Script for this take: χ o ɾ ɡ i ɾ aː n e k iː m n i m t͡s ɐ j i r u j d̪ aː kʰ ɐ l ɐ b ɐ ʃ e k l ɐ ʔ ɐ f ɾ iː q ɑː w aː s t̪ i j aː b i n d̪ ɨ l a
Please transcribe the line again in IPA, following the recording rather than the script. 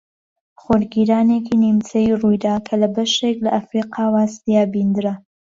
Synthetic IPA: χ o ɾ ɡ i ɾ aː n e k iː n i m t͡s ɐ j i r u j d̪ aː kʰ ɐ l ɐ b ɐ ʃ e k l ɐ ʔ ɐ f ɾ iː q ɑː w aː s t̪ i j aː b i n d̪ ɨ ɾ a